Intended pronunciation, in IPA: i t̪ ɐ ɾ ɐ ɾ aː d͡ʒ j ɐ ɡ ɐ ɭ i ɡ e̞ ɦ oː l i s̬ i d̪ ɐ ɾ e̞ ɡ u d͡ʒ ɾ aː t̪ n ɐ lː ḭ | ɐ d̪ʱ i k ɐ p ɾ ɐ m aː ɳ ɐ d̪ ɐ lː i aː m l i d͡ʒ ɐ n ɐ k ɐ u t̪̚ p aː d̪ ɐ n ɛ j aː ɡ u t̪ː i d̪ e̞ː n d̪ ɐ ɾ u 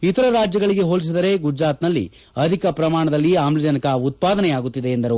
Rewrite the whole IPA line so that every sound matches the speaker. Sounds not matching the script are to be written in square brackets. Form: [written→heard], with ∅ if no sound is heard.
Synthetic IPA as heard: i t̪ ɐ ɾ ɐ ɾ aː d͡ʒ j ɐ ɡ ɐ ɭ i ɡ e̞ ɦ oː l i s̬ i d̪ ɐ ɾ e̞ ɡ u d͡ʒ ɾ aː t̪ n ɐ lː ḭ | ɐ d̪ʱ i k ɐ p ɾ ɐ m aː ɳ ɐ d̪ ɐ lː i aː m l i d͡ʒ ɐ n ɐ k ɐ u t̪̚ p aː d̪ ɐ n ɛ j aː ɡ u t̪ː i d̪ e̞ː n d̪ ɐ ɾ u